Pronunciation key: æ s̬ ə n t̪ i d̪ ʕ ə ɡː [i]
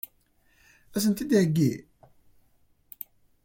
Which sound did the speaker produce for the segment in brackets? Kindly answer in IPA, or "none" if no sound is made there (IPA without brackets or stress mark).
i